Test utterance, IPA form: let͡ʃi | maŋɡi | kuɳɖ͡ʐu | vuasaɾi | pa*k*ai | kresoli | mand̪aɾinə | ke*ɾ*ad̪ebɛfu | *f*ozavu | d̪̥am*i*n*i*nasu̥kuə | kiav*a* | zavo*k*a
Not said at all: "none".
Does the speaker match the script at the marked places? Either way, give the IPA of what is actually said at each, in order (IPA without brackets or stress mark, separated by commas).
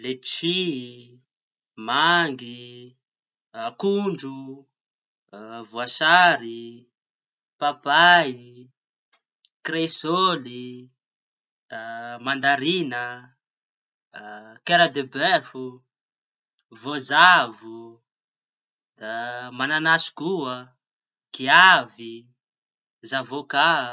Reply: p, ɾ, v, a, a, i, k